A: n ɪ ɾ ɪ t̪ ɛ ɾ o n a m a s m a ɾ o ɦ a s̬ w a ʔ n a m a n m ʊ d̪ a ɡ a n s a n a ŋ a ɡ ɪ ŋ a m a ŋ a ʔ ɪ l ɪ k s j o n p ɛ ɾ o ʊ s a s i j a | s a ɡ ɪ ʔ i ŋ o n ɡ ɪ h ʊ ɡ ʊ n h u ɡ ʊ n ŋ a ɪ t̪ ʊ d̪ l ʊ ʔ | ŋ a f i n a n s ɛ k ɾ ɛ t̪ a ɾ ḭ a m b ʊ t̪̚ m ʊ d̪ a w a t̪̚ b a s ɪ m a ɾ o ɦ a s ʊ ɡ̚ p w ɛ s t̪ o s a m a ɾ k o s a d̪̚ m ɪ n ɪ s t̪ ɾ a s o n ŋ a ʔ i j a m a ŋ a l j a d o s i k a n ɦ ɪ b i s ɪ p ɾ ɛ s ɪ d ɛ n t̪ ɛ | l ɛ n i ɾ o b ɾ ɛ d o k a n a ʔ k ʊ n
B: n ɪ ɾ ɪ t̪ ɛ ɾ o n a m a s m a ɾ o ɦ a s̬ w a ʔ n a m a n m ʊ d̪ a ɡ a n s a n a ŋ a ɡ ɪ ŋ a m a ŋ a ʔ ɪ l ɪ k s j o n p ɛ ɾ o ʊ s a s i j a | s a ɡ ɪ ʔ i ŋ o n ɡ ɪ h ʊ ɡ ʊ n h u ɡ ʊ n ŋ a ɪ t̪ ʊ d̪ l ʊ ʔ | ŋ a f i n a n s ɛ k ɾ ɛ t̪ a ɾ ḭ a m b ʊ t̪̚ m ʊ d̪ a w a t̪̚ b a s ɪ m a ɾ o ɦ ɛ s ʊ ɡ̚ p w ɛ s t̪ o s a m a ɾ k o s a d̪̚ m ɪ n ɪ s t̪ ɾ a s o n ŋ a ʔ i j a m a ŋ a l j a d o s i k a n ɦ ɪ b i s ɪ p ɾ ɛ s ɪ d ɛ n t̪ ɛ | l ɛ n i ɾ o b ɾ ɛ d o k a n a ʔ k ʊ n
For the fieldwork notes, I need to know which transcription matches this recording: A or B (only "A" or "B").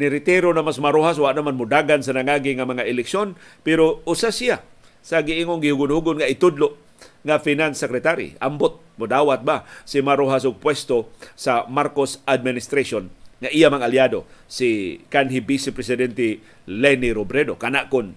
A